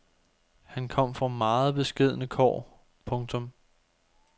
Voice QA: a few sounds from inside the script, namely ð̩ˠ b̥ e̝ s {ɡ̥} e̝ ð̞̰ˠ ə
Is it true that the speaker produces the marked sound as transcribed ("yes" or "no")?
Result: yes